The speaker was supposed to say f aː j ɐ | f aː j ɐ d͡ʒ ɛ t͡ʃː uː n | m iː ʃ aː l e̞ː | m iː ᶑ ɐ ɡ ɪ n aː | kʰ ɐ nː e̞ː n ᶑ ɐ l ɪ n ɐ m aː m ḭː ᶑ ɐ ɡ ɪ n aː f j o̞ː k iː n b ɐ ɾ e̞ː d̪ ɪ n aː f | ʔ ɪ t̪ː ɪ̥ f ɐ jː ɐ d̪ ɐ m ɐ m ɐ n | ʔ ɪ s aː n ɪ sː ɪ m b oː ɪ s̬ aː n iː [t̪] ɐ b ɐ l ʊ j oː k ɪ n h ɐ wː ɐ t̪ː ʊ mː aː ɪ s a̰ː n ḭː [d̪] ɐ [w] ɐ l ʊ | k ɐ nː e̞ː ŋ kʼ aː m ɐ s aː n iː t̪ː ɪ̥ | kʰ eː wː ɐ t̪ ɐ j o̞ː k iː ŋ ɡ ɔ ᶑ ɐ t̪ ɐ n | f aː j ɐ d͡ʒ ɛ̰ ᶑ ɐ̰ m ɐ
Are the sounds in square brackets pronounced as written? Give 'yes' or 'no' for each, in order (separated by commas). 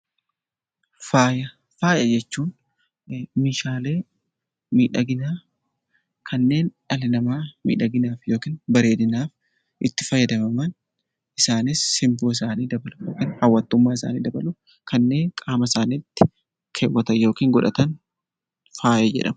no, yes, no